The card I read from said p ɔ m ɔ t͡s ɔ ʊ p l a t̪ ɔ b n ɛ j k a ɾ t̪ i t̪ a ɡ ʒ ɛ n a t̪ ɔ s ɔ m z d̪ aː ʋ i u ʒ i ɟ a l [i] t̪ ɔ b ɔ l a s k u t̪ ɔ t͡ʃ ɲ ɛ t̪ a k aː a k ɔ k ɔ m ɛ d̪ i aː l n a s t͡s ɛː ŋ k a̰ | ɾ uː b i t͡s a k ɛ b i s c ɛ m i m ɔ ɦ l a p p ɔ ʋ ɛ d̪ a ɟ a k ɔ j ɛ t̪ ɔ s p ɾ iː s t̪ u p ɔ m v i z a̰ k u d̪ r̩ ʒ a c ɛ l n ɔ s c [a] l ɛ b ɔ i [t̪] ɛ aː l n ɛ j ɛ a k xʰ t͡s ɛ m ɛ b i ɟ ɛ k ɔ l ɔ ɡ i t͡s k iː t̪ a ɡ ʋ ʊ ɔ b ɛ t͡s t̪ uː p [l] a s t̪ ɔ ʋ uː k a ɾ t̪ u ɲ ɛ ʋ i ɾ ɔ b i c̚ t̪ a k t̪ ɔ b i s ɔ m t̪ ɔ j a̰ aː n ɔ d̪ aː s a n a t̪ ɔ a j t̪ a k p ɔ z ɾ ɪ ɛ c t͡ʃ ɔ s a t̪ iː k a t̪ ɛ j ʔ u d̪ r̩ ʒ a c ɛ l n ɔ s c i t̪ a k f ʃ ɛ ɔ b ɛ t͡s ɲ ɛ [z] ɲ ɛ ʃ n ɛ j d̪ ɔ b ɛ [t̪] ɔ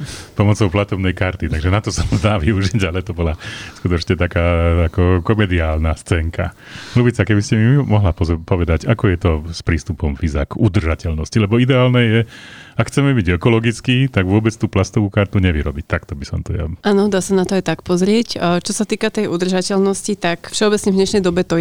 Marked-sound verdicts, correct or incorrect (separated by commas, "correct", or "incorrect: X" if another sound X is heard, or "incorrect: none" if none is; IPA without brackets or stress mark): incorrect: ɛ, incorrect: i, incorrect: d̪, correct, incorrect: v, correct